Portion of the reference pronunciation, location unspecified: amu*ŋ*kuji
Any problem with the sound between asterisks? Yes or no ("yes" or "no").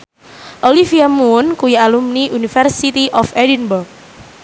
yes